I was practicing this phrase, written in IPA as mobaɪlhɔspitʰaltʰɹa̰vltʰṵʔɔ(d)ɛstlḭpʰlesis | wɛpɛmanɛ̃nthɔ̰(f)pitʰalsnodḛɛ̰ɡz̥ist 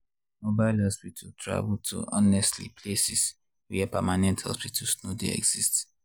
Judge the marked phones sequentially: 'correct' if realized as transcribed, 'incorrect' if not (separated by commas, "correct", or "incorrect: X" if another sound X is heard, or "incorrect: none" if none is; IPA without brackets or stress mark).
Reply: incorrect: n, incorrect: s